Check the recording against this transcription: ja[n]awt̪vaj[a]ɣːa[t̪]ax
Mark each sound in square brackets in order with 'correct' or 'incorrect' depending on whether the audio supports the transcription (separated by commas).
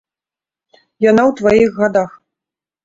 correct, incorrect, incorrect